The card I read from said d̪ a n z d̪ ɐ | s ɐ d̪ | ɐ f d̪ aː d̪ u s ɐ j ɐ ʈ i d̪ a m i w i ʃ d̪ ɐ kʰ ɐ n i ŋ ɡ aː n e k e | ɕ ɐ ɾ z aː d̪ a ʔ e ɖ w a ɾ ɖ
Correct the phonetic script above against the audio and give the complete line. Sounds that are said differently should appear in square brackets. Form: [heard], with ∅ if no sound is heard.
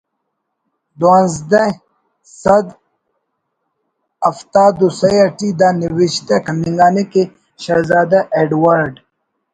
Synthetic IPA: d̪ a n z d̪ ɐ | s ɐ d̪ | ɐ f [t̪] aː d̪ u s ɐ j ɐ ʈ i d̪ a [n] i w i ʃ [t̪] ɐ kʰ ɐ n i ŋ ɡ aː n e k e | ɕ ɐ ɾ z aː d̪ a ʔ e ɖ w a ɾ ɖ